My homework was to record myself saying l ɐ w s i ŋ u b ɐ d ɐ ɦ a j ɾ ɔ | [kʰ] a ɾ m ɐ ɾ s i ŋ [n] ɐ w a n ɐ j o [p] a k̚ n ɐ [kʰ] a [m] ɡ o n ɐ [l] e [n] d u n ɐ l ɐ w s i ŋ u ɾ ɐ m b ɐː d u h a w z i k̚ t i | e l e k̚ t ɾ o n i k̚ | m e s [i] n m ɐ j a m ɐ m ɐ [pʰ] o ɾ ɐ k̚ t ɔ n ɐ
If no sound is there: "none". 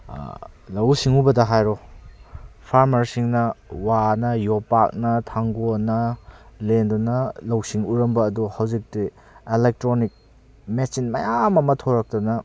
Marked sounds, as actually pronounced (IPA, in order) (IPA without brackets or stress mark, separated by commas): pʰ, n, p, tʰ, ŋ, l, n, i, tʰ